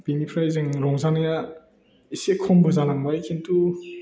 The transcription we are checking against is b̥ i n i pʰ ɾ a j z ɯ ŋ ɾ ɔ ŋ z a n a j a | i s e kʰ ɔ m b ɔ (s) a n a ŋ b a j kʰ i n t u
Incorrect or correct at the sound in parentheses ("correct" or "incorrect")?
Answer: incorrect